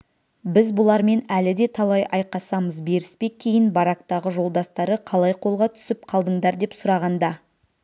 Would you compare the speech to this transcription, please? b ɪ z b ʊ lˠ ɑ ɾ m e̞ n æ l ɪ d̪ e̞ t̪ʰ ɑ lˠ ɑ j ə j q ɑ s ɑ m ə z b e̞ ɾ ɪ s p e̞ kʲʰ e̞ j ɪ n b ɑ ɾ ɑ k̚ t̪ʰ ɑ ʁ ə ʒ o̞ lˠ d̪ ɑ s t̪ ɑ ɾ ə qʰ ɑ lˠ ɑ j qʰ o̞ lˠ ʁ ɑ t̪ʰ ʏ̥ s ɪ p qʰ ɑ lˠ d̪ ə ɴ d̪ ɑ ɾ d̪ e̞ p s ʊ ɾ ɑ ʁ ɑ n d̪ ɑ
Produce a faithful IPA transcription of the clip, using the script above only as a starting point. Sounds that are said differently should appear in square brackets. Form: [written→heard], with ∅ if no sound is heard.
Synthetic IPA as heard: b ɪ z b ʊ lˠ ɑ ɾ m e̞ n æ l ɪ d̪ e̞ t̪ʰ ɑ lˠ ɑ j [ə→ɑ] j q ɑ s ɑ m ə z b e̞ ɾ ɪ s p e̞ kʲʰ e̞ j ɪ n b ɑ ɾ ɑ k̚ [t̪ʰ→t̪] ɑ ʁ ə ʒ o̞ lˠ d̪ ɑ s t̪ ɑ ɾ ə qʰ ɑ lˠ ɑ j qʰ o̞ lˠ ʁ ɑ t̪ʰ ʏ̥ s ɪ p qʰ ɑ lˠ d̪ ə ɴ d̪ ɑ ɾ d̪ e̞ p s ʊ ɾ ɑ ʁ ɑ n d̪ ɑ

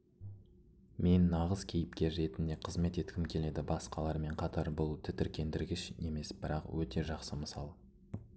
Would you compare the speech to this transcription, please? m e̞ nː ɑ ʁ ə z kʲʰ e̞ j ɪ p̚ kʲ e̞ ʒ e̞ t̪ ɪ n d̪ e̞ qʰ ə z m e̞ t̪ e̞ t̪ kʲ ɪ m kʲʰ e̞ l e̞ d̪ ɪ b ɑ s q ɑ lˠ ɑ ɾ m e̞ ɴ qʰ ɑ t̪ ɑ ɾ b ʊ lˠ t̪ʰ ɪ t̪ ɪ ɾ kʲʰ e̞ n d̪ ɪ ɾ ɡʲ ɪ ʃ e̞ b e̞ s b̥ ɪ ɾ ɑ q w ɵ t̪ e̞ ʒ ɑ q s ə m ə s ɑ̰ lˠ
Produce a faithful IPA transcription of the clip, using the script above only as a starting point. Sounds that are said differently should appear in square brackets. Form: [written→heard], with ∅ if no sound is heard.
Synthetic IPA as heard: m e̞ nː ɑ ʁ ə z kʲʰ e̞ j ɪ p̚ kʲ e̞ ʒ e̞ t̪ ɪ n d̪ e̞ qʰ ə z m e̞ t̪ e̞ t̪ kʲ ɪ m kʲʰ e̞ l e̞ d̪ ɪ b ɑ s q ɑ lˠ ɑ ɾ m e̞ ɴ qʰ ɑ t̪ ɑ ɾ b ʊ lˠ t̪ʰ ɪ t̪ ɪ ɾ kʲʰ e̞ n d̪ ɪ ɾ ɡʲ ɪ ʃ e̞ [b→m] e̞ s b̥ ɪ ɾ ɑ q w ɵ t̪ e̞ ʒ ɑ q s ə m ə s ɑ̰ lˠ

